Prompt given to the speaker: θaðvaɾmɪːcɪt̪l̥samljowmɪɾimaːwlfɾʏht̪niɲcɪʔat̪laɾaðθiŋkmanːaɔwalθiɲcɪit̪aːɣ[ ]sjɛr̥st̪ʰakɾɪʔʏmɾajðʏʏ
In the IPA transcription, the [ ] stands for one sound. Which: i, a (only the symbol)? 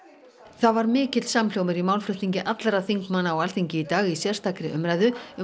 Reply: i